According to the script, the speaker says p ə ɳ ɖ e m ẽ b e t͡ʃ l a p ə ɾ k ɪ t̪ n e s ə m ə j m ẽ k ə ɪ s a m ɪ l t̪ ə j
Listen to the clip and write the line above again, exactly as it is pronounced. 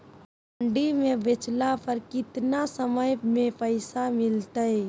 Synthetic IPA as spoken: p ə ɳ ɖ i m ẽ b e t͡ʃ l a p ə ɾ k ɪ t̪ n a s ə m ə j m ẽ p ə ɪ s a m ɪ l t̪ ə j